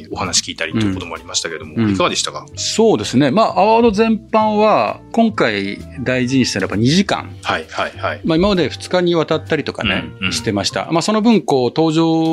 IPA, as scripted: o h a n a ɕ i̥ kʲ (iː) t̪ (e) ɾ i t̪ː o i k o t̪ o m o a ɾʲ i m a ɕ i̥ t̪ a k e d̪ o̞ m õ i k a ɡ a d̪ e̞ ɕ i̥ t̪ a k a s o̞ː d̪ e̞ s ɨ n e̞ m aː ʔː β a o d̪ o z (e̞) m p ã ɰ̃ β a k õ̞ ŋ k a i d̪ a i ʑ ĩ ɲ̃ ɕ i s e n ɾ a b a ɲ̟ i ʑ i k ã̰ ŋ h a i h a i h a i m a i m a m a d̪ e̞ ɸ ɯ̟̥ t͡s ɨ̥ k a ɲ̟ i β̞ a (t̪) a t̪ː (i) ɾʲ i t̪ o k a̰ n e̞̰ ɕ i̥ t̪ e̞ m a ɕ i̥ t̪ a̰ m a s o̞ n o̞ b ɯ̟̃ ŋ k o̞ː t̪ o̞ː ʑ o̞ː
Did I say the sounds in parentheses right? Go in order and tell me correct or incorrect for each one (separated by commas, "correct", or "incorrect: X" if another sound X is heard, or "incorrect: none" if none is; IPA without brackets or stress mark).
correct, incorrect: a, incorrect: ẽ̞, correct, incorrect: a